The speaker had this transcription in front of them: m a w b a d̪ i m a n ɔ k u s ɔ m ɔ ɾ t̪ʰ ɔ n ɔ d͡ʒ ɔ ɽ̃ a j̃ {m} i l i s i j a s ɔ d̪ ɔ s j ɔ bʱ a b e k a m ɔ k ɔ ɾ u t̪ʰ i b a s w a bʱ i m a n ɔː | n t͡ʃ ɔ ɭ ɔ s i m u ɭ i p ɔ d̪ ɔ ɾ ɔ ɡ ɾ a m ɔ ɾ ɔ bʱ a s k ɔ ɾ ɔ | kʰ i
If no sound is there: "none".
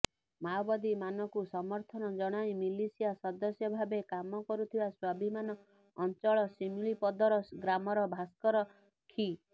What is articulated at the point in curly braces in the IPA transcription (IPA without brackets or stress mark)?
m